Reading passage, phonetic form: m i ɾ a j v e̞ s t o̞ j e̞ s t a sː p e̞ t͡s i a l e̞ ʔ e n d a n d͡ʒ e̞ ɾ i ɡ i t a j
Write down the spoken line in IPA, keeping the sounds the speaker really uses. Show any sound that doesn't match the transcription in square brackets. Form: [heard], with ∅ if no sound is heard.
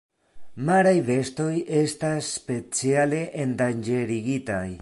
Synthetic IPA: m [a] ɾ a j v e̞ s t o̞ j e̞ s t a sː p e̞ t͡s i a l e̞ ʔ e n d a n d͡ʒ e̞ ɾ i ɡ i t a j